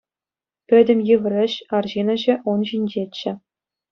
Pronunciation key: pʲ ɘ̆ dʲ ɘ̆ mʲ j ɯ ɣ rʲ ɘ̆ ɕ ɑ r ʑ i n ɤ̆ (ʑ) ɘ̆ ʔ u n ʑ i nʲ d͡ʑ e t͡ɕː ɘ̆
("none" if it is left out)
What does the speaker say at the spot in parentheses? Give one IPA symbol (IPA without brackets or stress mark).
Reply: ʑ